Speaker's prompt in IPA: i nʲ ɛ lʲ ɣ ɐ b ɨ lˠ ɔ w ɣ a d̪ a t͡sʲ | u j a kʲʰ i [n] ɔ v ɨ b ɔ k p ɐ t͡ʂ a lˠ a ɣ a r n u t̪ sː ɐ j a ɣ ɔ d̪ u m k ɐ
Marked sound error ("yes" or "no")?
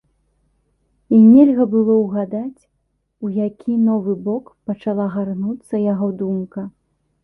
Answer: no